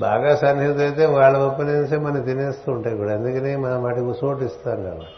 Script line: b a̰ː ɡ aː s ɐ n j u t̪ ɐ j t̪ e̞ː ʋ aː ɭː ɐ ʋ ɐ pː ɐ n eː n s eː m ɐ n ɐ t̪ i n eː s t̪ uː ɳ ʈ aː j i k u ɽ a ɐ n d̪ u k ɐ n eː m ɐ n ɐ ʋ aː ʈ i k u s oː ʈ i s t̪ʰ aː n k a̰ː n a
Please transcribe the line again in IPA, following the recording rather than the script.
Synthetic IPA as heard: b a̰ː ɡ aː s ɐ n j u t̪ ɐ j t̪ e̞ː ʋ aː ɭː ɐ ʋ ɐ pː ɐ n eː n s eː m ɐ n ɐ t̪ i n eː s t̪ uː ɳ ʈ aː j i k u ɽ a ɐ n d̪ u k ɐ n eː m ɐ n ɐ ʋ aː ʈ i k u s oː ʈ i s t̪ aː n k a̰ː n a